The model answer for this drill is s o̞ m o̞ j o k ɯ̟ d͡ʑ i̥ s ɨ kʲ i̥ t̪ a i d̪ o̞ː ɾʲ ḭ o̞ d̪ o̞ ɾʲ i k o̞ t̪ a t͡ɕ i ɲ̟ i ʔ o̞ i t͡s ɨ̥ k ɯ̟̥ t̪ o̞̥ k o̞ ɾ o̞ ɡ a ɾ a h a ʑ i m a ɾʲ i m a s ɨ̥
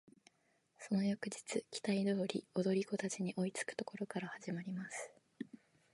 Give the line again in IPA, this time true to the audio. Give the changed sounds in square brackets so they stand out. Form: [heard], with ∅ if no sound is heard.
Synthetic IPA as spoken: s o̞ [n] o̞ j o k ɯ̟ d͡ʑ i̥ [t͡s] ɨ kʲ i̥ t̪ a i d̪ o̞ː ɾʲ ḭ o̞ d̪ o̞ ɾʲ i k o̞ t̪ a t͡ɕ i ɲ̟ i ʔ o̞ i t͡s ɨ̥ k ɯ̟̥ t̪ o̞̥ k o̞ ɾ o̞ [k] a ɾ a h a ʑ i m a ɾʲ i m a s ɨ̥

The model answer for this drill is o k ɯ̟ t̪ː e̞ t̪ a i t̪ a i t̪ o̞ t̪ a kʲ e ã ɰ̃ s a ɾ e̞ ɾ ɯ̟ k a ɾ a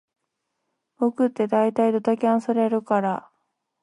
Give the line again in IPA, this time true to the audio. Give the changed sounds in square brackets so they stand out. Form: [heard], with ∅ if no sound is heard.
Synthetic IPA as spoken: o k ɯ̟ t̪ː e̞ [d̪] a i t̪ a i [d̪] o̞ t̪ a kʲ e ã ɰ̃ s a ɾ e̞ ɾ ɯ̟ k a ɾ a

